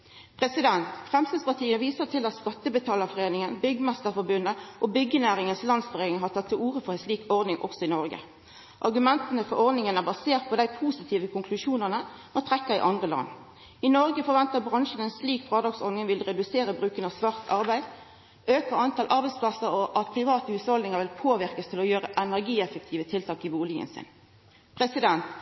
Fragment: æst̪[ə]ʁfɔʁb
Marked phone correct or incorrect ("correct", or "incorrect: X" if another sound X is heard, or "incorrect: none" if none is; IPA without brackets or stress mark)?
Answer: correct